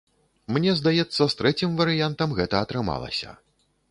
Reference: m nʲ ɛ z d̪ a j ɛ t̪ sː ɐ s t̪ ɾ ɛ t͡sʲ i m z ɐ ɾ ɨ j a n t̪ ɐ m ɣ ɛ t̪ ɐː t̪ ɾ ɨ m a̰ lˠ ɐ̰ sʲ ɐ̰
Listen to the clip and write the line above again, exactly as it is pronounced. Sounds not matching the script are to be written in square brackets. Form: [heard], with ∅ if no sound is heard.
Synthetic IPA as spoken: m nʲ ɛ z d̪ a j ɛ t̪ sː ɐ s t̪ ɾ ɛ t͡sʲ i m [v] ɐ ɾ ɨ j a n t̪ ɐ m ɣ ɛ t̪ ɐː t̪ ɾ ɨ m a̰ lˠ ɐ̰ sʲ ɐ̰